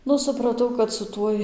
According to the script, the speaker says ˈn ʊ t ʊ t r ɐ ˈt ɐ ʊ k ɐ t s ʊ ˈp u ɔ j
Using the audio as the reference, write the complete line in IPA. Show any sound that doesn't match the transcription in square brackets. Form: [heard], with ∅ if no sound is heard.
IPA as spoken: ˈn ʊ [s] ʊ [p] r ɐ ˈt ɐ ʊ k ɐ t s ʊ [ˈt] u ɔ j